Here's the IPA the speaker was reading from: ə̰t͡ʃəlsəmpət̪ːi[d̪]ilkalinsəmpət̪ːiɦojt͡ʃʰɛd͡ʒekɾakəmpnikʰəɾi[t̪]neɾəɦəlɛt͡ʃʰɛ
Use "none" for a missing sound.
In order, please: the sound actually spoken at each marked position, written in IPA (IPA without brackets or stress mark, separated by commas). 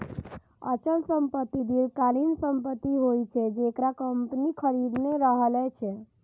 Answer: d̪, d̪